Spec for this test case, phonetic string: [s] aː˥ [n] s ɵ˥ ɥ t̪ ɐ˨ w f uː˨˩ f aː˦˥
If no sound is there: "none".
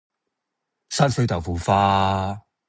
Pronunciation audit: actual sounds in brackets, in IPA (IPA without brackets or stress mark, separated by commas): s, n